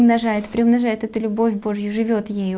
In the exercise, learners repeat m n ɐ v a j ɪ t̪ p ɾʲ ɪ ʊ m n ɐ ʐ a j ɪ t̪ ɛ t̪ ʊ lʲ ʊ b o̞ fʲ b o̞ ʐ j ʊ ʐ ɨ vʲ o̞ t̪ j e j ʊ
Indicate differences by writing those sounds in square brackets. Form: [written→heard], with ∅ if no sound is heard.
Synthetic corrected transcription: m n ɐ [v→ʐ] a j ɪ t̪ p ɾʲ ɪ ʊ m n ɐ ʐ a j ɪ t̪ ɛ t̪ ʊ lʲ ʊ b o̞ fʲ b o̞ ʐ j ʊ ʐ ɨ vʲ o̞ t̪ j e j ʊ

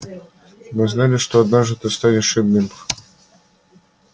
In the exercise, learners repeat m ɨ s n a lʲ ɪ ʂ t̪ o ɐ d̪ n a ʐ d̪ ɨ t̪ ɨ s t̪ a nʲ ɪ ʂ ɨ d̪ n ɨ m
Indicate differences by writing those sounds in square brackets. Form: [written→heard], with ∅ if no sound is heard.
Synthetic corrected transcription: m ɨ [s→z] n a lʲ ɪ ʂ t̪ o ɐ d̪ n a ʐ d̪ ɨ t̪ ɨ s t̪ a nʲ ɪ ʂ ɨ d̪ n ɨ m

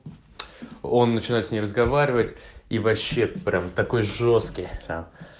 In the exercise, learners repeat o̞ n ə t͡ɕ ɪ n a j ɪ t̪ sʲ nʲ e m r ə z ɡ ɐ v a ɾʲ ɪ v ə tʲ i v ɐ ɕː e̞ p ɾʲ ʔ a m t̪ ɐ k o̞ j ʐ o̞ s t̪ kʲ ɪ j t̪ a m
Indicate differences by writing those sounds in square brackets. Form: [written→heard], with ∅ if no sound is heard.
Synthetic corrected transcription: o̞ [n→nː] ə t͡ɕ ɪ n a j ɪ t̪ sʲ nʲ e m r ə z ɡ ɐ v a ɾʲ ɪ v ə tʲ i v ɐ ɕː e̞ p ɾʲ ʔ a m t̪ ɐ k o̞ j ʐ o̞ s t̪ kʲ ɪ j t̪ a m

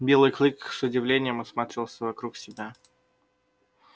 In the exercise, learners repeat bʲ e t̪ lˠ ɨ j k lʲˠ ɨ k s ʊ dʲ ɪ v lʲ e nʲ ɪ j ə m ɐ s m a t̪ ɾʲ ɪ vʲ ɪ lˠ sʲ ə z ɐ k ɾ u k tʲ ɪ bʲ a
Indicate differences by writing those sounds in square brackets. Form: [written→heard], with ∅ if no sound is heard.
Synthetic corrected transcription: bʲ e [t̪→∅] lˠ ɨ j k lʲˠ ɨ k s ʊ dʲ ɪ v lʲ e nʲ ɪ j ə m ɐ s m a t̪ ɾʲ ɪ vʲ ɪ lˠ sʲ ə [z→v] ɐ k ɾ u k [tʲ→sʲ] ɪ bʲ a

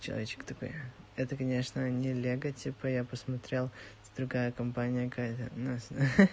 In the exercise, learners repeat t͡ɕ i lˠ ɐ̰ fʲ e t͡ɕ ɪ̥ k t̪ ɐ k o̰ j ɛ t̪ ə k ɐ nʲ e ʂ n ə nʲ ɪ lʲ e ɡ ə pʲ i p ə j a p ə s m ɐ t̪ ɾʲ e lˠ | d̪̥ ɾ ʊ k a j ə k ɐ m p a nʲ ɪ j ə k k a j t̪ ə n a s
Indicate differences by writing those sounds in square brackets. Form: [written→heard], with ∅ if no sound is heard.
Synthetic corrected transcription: t͡ɕ [i→ɪ] lˠ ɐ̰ [fʲ→vʲ] e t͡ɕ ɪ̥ k t̪ ɐ k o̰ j ɛ t̪ ə k ɐ nʲ e ʂ n ə nʲ ɪ lʲ e ɡ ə [pʲ→tʲ] i p ə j a p ə s m ɐ t̪ ɾʲ e lˠ | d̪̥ ɾ ʊ [k→ɡ] a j ə k ɐ m p a nʲ ɪ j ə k k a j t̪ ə n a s

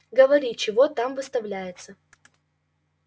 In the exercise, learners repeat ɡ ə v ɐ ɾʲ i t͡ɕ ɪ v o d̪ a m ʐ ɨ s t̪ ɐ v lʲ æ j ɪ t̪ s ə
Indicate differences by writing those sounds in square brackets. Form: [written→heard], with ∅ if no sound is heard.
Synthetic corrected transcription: ɡ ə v ɐ ɾʲ i t͡ɕ ɪ v o [d̪→t̪] a m [ʐ→v] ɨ s t̪ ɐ v lʲ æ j ɪ t̪ s ə

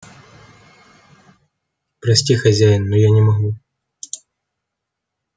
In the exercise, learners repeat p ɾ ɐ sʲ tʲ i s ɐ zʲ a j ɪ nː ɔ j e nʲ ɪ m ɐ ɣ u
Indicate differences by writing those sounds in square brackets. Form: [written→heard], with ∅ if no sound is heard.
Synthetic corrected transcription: p ɾ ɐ sʲ tʲ i [s→x] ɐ zʲ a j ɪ nː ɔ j [e→a] nʲ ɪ m ɐ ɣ u

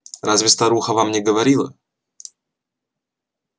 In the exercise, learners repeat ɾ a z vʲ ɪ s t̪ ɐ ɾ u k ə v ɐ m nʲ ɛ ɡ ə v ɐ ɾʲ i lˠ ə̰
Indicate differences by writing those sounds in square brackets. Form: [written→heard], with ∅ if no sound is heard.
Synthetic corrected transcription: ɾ a z vʲ ɪ s t̪ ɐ ɾ u [k→x] ə v [ɐ→a] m nʲ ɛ ɡ ə v ɐ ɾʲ i lˠ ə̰

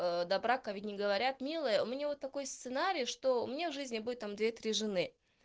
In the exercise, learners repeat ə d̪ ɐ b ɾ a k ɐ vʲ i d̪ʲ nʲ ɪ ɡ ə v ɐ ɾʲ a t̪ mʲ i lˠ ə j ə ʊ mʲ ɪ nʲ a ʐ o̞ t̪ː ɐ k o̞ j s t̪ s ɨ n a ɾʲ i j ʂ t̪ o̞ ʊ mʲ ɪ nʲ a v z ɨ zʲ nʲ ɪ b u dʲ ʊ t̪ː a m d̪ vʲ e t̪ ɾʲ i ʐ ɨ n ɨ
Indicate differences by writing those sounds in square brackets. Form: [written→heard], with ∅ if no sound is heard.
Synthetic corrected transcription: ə d̪ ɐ b ɾ a k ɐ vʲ i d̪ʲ nʲ ɪ ɡ ə v ɐ ɾʲ a t̪ mʲ i lˠ ə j ə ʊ mʲ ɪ nʲ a [ʐ→v] o̞ t̪ː ɐ k o̞ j s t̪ s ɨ n a ɾʲ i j ʂ t̪ o̞ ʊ mʲ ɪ nʲ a v [z→ʐ] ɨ zʲ nʲ ɪ b u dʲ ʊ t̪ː a m d̪ vʲ e t̪ ɾʲ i ʐ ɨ n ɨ

